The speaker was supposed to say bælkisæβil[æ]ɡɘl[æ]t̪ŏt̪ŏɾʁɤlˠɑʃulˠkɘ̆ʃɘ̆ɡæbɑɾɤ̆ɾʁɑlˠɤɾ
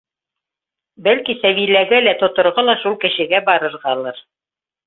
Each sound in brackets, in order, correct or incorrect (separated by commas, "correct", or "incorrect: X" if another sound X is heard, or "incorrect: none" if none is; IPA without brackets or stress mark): correct, correct